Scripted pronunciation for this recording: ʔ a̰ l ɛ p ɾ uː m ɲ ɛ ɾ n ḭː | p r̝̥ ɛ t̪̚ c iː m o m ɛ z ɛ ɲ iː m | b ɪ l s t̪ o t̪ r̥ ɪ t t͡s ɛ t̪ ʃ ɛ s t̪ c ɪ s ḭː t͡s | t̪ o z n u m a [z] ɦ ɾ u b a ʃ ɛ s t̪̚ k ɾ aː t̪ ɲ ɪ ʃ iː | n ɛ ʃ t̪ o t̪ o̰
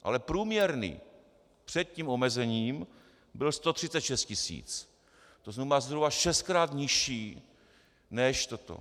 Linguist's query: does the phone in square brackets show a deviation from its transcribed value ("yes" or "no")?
no